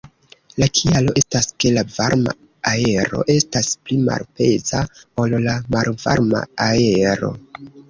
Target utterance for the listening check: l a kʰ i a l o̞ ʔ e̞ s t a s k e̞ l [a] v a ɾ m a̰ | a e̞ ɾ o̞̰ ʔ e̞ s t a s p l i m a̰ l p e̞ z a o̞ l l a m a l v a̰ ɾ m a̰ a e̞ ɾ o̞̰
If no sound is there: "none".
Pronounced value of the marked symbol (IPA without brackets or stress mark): a